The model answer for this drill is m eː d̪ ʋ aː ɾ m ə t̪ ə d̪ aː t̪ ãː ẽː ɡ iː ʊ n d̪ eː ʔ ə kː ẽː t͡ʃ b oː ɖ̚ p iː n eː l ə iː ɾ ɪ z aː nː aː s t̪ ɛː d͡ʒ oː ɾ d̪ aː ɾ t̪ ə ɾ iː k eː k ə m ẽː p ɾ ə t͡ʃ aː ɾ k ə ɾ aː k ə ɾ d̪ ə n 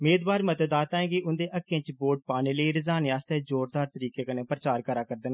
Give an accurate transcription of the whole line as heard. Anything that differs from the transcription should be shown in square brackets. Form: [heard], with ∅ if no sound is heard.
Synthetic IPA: m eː d̪ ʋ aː ɾ m ə t̪ ə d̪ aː t̪ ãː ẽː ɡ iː ʊ n d̪ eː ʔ ə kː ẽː t͡ʃ b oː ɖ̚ p [aː] n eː l ə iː ɾ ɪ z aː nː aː s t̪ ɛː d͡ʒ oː ɾ d̪ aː ɾ t̪ ə ɾ iː k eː k ə [n] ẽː p ɾ ə t͡ʃ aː ɾ k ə ɾ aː k ə ɾ d̪ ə n